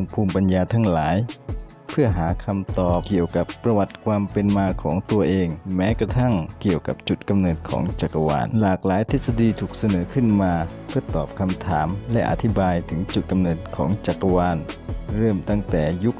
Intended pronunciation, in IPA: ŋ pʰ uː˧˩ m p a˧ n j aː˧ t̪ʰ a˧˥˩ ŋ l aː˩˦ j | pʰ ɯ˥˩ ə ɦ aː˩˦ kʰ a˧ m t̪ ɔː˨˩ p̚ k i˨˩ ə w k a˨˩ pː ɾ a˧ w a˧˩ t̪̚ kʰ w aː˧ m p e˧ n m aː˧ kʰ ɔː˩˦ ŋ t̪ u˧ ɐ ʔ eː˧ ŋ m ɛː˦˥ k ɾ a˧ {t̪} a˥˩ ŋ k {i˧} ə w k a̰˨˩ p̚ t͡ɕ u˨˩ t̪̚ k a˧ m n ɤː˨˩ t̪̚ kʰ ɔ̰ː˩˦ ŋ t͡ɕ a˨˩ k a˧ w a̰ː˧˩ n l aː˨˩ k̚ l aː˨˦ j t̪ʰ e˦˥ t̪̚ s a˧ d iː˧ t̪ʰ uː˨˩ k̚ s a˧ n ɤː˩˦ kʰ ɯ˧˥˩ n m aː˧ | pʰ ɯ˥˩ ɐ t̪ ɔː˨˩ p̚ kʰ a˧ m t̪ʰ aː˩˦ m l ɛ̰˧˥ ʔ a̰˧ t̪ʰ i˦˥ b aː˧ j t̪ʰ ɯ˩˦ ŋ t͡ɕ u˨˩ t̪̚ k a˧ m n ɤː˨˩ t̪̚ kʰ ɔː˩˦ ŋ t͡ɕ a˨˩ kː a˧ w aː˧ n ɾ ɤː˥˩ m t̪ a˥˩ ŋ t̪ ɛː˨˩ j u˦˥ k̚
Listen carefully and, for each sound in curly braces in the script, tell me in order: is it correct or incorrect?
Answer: incorrect: t̪ʰ, incorrect: i˨˩

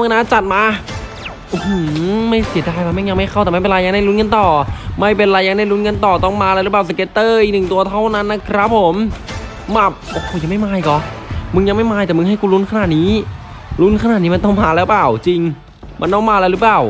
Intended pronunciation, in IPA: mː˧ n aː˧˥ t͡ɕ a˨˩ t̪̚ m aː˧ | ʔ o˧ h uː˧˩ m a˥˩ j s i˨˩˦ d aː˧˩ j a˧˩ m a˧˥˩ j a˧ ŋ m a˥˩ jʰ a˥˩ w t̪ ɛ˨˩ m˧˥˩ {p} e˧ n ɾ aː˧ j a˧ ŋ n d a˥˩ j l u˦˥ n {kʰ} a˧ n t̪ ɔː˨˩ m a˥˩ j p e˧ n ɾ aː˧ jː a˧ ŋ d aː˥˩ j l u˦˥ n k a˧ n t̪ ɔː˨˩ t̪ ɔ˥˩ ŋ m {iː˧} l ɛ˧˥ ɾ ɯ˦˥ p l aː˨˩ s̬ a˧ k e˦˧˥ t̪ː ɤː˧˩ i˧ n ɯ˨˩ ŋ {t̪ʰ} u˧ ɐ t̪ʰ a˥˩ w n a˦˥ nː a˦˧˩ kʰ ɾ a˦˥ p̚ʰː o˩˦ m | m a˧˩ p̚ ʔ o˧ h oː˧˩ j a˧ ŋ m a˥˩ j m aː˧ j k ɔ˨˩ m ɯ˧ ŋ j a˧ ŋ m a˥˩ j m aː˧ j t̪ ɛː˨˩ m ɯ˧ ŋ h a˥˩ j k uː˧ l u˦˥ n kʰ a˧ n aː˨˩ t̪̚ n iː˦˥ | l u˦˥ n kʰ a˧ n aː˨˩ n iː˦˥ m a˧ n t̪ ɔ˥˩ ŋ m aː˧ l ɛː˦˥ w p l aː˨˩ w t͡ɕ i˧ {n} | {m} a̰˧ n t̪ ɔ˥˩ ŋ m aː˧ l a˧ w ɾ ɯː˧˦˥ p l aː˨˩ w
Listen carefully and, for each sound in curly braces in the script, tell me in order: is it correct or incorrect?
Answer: correct, incorrect: k, incorrect: aː˧, incorrect: t̪, incorrect: ŋ, correct

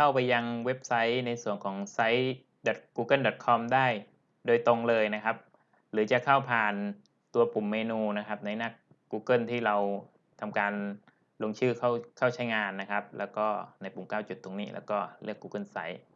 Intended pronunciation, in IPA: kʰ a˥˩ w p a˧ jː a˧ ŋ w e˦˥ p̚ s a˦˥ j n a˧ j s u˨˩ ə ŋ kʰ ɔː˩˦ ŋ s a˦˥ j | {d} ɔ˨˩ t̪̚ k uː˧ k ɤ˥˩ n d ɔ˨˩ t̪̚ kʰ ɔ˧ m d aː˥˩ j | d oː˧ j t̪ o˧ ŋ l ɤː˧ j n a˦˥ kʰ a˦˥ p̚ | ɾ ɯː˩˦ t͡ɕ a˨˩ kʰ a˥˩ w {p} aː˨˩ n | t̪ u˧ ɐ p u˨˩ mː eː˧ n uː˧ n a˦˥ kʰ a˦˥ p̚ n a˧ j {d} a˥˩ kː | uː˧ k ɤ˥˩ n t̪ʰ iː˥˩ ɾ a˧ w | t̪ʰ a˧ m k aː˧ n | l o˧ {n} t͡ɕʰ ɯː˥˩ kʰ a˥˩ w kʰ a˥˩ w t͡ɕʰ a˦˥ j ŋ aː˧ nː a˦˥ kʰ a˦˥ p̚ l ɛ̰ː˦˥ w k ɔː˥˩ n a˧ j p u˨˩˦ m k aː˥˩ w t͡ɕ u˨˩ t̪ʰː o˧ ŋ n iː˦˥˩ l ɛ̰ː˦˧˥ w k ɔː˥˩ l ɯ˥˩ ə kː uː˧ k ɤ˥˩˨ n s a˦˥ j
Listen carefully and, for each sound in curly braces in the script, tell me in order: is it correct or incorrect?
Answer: correct, incorrect: pʰ, incorrect: n, incorrect: ŋ

